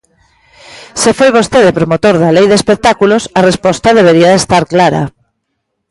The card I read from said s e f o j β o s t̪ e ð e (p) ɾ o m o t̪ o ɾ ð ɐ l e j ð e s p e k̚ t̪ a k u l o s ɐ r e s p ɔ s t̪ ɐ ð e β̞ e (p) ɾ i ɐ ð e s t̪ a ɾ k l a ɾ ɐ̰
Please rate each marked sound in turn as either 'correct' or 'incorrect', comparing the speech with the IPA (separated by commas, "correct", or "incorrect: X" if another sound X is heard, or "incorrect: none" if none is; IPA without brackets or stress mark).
correct, incorrect: none